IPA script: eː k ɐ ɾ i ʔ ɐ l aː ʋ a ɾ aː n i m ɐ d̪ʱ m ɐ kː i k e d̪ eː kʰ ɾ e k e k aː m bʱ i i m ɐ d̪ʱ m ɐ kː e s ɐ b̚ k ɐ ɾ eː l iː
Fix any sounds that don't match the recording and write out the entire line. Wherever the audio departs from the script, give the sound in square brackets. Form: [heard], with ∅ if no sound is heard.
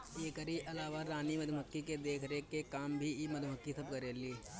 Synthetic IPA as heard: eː k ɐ ɾ i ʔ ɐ l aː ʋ a ɾ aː n i m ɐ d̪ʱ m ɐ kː i k e d̪ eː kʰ ɾ e k e k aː m bʱ i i m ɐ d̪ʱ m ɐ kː [i] s ɐ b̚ k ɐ ɾ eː l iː